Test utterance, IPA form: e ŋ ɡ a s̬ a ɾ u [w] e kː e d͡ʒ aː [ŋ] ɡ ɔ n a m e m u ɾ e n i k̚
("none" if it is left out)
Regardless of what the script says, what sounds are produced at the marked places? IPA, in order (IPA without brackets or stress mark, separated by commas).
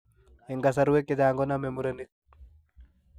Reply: w, ŋ